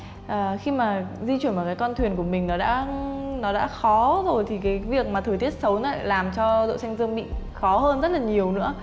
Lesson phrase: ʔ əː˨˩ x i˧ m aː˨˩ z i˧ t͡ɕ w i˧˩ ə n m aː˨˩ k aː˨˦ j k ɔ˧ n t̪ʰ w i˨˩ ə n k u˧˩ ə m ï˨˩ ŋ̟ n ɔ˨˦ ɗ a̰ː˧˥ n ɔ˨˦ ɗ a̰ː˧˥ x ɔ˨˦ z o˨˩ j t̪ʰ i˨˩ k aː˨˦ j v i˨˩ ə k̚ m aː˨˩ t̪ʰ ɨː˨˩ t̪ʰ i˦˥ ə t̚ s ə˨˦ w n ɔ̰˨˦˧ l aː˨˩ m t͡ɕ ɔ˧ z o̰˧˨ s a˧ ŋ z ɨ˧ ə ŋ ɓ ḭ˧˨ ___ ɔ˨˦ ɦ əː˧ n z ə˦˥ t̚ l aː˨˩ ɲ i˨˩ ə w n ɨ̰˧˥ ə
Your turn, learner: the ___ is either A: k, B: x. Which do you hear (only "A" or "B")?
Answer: B